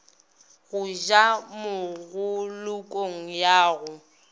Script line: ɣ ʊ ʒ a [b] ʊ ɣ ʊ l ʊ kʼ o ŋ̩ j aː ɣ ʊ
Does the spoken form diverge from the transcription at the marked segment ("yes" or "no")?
yes